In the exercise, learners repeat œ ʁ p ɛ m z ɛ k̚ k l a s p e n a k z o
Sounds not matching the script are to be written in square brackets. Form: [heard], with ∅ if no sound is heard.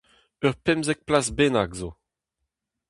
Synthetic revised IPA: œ ʁ p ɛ m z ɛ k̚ [p] l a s [b] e n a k z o